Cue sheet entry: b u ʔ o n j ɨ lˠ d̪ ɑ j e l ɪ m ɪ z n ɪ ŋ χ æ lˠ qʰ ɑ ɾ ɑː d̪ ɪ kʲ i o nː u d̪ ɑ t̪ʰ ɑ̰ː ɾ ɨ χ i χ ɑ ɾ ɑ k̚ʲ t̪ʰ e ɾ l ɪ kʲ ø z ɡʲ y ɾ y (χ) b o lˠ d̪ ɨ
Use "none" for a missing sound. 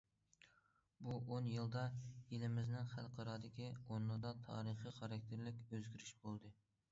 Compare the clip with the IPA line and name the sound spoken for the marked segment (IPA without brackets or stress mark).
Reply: ʃ